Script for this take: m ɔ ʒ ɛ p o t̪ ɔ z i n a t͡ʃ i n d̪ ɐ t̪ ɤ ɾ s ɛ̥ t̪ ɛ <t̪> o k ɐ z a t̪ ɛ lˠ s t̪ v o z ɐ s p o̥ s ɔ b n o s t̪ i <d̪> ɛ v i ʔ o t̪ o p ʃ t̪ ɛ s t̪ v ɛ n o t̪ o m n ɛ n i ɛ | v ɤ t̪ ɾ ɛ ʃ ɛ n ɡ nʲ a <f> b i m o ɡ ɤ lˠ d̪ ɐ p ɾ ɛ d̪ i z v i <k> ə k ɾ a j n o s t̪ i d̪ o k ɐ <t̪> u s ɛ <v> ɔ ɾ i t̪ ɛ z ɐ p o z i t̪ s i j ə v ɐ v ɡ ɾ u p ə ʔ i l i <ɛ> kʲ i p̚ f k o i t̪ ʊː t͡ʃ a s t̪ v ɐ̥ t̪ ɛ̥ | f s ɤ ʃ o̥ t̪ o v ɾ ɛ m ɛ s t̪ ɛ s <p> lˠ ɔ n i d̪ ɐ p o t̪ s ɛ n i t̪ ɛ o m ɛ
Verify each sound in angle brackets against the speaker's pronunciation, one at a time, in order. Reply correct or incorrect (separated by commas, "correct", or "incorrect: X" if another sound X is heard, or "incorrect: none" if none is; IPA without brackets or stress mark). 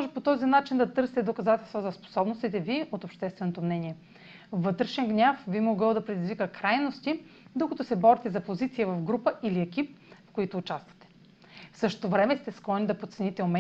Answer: incorrect: d̪, incorrect: t̪, correct, correct, correct, incorrect: b, correct, incorrect: k